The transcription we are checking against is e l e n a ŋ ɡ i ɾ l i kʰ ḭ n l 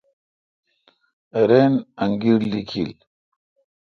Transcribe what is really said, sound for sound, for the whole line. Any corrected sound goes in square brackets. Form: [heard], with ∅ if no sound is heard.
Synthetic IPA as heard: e [ɾ] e n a ŋ ɡ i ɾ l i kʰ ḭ [∅] l